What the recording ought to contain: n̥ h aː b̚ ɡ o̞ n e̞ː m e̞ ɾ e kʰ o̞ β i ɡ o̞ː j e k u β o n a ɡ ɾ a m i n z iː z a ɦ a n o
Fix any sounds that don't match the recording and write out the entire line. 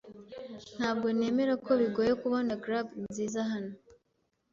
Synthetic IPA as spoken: n̥ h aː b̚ ɡ o̞ n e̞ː m e̞ ɾ a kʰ o̞ β i ɡ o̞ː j e k u β o n a ɡ ɾ a b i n z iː z a ɦ a n o